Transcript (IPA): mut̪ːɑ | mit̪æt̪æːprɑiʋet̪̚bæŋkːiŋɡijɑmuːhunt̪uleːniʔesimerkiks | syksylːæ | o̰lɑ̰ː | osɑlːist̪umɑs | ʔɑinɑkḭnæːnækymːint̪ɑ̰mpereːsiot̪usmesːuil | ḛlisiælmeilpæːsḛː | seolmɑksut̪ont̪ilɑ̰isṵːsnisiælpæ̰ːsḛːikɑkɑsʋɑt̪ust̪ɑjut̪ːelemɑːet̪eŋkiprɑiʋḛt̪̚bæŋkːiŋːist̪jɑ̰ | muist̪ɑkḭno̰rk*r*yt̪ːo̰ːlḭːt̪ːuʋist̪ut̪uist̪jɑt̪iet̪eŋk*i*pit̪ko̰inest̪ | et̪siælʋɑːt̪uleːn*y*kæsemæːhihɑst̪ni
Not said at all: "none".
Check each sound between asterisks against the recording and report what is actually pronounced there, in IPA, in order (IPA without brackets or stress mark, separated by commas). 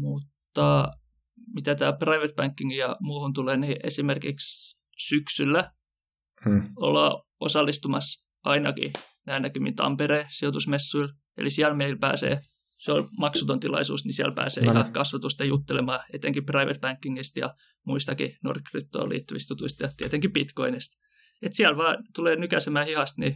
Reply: r, i, y